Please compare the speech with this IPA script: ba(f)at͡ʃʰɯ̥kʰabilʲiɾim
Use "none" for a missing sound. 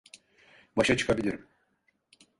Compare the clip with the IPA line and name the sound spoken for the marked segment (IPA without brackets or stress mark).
ʃ